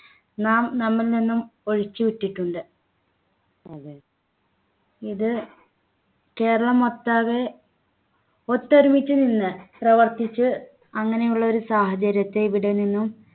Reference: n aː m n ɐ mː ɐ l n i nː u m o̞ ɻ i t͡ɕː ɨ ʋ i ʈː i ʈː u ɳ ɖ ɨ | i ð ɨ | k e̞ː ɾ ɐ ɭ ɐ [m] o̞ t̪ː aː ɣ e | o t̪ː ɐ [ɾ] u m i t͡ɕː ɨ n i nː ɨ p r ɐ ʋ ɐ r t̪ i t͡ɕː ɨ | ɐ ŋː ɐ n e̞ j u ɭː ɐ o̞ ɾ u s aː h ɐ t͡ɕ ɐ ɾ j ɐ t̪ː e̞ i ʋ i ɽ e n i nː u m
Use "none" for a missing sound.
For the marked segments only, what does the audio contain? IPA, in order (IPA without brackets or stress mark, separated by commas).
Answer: m, ɾ